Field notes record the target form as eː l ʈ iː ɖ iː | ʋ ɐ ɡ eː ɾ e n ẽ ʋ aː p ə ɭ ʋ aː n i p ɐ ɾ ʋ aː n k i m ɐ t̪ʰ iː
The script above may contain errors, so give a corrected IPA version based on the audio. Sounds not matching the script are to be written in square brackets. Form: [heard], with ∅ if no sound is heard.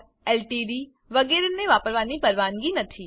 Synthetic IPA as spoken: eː l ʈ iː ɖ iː | ʋ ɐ ɡ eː ɾ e n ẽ ʋ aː p ə [ɾ] ʋ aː n i p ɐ ɾ ʋ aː n [ɡ] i [n] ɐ t̪ʰ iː